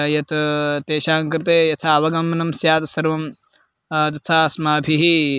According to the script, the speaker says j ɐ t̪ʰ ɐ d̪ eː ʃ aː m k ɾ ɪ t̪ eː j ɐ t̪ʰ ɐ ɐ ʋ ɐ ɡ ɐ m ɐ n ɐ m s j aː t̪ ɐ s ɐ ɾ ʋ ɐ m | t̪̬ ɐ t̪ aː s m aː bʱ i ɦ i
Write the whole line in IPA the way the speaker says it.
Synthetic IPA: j ɐ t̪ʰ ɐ t̪ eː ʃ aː ŋ k ɾ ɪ t̪ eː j ɐ t̪ʰ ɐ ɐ ʋ ɐ ɡ ɐ m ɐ n ɐ m s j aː t̪ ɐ s ɐ ɾ ʋ ɐ m | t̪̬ ɐ t̪ʰ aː s m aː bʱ i ɦ i